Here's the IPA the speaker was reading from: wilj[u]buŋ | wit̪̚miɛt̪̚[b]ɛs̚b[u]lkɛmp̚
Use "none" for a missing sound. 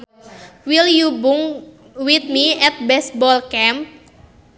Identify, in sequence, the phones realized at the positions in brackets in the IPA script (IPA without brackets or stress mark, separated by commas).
u, b, ɔ